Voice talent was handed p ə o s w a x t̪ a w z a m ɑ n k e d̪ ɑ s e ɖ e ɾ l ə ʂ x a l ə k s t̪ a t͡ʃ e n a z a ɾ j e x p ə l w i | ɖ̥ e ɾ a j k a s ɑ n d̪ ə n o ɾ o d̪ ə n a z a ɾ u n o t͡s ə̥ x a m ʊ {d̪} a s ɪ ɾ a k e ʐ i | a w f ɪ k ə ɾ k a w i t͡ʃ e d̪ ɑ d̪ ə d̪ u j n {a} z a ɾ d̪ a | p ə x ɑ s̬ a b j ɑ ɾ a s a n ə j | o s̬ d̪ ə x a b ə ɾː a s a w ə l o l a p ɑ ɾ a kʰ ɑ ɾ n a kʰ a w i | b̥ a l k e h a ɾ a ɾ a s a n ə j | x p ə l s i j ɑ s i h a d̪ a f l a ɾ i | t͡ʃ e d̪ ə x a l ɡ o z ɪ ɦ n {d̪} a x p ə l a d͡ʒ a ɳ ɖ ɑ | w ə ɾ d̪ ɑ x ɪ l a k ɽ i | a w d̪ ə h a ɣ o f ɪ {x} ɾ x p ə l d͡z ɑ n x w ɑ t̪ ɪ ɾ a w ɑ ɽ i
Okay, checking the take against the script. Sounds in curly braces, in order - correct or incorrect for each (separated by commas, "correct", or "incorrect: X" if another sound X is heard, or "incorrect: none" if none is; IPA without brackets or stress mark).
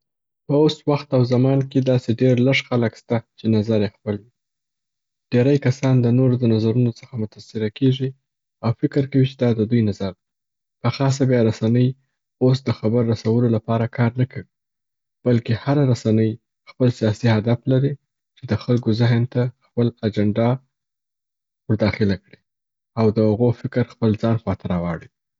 incorrect: t̪, correct, incorrect: t̪, incorrect: k